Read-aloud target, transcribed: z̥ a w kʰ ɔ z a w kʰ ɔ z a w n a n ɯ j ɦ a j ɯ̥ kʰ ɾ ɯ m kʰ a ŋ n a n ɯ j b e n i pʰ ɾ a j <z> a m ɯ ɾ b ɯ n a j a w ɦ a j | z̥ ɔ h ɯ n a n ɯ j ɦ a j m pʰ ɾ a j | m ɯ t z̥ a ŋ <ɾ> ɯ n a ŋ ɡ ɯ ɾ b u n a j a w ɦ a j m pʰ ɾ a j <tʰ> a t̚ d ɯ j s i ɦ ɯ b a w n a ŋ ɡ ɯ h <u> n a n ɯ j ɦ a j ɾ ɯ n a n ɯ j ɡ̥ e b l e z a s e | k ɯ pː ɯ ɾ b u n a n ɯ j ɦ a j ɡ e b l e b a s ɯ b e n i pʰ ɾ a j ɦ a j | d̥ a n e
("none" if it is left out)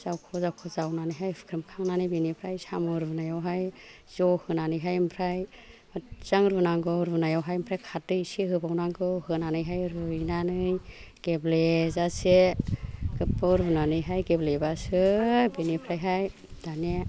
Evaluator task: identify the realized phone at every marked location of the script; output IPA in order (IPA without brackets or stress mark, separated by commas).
s, ɾ, kʰ, ɯ